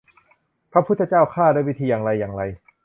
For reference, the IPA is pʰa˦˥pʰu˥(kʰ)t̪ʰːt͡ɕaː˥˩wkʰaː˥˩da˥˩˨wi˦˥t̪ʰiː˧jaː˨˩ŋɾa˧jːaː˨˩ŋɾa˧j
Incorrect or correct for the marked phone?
incorrect: none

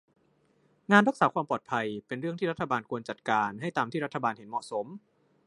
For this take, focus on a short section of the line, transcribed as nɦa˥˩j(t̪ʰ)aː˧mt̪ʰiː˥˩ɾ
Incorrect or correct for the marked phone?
incorrect: t̪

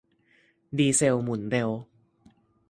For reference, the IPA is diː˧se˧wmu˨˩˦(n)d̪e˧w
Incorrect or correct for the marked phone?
correct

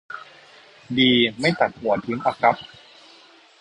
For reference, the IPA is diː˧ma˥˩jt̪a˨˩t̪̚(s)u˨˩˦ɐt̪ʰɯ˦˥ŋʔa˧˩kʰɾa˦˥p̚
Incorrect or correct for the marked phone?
incorrect: h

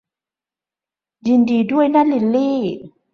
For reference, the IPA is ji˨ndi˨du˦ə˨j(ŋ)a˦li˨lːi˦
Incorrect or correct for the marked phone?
incorrect: n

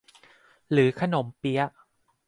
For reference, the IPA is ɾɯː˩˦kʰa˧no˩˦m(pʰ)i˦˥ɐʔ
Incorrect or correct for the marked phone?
incorrect: p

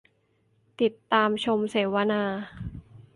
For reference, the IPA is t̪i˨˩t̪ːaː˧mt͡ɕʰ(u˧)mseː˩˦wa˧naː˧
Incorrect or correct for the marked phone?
incorrect: o˧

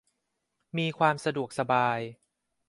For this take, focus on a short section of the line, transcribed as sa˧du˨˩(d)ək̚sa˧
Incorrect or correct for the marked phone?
incorrect: none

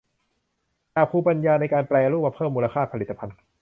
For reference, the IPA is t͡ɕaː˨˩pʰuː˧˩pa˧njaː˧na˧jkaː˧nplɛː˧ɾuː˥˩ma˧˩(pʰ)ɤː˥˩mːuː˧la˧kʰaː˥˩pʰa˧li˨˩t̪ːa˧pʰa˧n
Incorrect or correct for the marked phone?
correct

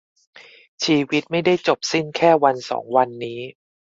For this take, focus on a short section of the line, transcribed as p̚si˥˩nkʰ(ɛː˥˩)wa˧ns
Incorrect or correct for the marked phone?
correct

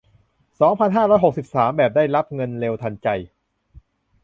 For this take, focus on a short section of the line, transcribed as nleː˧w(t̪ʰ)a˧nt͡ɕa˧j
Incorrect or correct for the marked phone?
correct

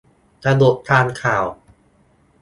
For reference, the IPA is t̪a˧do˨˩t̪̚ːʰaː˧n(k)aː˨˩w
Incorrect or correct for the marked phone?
incorrect: kʰ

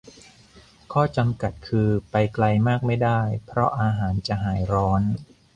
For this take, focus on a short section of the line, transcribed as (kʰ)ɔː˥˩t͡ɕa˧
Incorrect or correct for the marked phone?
correct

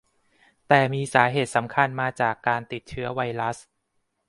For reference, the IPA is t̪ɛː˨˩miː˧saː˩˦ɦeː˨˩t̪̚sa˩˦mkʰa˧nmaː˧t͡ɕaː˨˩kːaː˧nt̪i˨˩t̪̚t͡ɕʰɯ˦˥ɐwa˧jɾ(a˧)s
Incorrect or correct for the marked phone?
incorrect: a˦˥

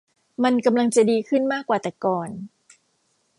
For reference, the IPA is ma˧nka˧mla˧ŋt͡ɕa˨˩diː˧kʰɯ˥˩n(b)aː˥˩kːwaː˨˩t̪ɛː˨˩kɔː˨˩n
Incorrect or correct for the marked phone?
incorrect: m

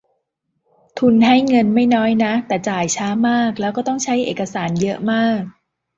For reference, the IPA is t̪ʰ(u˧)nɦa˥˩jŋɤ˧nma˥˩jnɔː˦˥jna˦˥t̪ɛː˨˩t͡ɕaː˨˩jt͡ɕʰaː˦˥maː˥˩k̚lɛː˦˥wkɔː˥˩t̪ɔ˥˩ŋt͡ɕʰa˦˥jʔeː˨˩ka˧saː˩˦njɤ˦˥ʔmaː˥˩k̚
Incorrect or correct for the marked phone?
correct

